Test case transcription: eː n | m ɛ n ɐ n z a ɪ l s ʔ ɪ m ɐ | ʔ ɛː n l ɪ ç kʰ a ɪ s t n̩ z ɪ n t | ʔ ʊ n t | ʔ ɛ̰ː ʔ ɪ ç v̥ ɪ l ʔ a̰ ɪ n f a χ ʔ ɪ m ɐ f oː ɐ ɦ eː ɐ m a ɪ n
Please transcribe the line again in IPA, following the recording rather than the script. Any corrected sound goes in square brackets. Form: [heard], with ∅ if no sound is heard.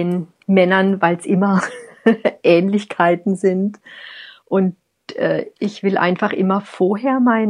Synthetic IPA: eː n | m ɛ n ɐ n [v] a ɪ l s ʔ ɪ m ɐ | ʔ ɛː n l ɪ ç kʰ a ɪ [∅] t n̩ z ɪ n t | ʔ ʊ n t | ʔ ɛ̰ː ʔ ɪ ç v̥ ɪ l ʔ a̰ ɪ n f a χ ʔ ɪ m ɐ f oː ɐ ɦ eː ɐ m a ɪ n